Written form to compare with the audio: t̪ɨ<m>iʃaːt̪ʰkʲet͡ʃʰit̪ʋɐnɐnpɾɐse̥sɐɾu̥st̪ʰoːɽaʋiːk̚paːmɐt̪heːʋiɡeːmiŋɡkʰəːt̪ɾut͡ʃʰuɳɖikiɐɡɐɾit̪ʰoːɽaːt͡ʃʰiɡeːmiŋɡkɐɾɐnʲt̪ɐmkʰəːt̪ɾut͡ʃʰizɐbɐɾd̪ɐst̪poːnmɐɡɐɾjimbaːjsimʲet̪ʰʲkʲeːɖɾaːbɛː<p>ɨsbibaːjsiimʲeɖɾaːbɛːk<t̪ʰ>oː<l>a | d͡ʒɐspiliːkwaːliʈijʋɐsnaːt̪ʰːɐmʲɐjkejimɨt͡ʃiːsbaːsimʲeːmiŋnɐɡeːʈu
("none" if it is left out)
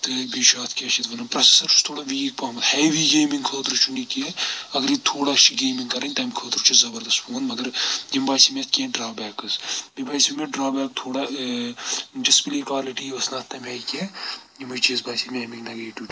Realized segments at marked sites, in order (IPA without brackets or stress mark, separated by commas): b, k, t̪ʰ, ɽ